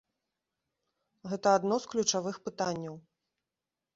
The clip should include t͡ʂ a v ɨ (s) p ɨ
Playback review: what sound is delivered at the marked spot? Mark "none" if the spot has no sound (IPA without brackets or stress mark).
x